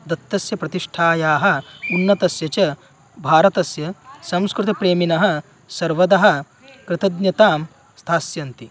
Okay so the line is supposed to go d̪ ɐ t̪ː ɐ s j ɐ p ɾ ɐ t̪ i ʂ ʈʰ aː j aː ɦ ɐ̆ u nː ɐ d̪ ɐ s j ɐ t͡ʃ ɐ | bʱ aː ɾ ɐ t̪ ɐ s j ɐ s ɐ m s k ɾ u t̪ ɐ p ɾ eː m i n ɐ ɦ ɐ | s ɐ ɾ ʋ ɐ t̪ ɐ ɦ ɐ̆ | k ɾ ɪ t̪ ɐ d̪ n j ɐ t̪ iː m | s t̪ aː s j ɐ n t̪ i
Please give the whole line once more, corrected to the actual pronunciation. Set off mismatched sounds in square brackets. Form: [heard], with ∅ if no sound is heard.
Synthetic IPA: d̪ ɐ t̪ː ɐ s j ɐ p ɾ ɐ t̪ i ʂ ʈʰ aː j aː ɦ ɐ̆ u nː ɐ [t̪] ɐ s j ɐ t͡ʃ ɐ | bʱ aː ɾ ɐ t̪ ɐ s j ɐ s ɐ m s k ɾ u t̪ ɐ p ɾ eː m i n ɐ ɦ ɐ | s ɐ ɾ ʋ ɐ [d̪] ɐ ɦ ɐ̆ | k ɾ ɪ t̪ ɐ d̪ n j ɐ t̪ [aː] m | s [t̪ʰ] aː s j ɐ n t̪ i